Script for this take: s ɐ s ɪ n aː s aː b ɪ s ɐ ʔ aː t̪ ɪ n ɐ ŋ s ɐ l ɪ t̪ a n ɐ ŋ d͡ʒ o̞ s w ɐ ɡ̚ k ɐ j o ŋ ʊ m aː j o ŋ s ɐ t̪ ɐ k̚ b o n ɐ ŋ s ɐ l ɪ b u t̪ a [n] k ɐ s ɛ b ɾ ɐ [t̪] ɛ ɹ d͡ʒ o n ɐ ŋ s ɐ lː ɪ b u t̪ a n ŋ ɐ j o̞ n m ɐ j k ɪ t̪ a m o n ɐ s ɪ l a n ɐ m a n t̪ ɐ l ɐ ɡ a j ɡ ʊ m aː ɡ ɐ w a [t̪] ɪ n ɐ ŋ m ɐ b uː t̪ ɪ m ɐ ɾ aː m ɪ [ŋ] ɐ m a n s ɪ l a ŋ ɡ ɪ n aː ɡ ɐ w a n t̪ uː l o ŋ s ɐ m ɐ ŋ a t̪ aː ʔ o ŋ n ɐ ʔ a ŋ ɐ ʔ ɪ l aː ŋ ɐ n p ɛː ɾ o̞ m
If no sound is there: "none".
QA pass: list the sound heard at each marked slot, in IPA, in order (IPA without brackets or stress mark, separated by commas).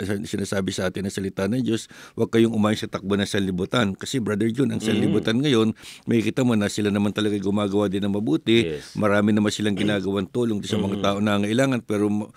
n, d̪, d̪, n